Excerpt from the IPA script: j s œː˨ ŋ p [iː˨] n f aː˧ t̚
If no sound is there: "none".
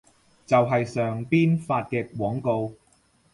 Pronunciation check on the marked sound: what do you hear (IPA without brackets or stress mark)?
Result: iː˥